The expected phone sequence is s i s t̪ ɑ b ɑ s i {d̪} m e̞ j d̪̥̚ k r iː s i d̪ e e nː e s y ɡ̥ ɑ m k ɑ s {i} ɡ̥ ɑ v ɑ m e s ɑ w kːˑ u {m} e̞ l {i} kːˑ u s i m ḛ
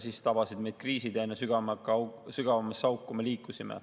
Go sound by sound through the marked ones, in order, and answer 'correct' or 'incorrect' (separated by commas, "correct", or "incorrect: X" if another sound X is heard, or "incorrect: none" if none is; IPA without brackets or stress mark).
correct, incorrect: y, correct, incorrect: iː